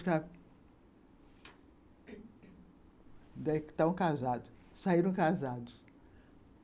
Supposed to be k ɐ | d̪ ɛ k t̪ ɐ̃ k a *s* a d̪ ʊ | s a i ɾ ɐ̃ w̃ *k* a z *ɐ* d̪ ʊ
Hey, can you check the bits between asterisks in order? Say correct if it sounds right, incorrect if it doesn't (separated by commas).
incorrect, correct, incorrect